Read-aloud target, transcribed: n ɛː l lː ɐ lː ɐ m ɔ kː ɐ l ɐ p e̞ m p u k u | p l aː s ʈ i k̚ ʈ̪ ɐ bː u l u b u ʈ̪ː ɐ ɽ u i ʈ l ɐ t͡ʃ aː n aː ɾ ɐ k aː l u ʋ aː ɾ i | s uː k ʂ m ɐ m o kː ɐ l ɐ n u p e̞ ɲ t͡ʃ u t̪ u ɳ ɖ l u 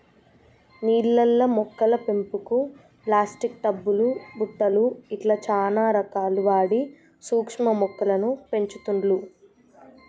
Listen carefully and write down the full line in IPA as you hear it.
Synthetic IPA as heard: n iː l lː ɐ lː ɐ m ɔ kː ɐ l ɐ p e̞ m p u k u | p l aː s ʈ i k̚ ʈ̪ ɐ bː u l u b u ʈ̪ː ɐ l u i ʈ l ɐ t͡ʃ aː n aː ɾ ɐ k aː l u ʋ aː ɽ i | s uː k ʂ m ɐ m ɔ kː ɐ l ɐ n u p e̞ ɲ t͡ʃ u t̪ u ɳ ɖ l u